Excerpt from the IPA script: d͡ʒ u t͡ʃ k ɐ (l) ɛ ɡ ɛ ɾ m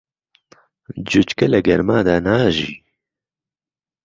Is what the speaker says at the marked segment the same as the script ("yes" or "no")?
yes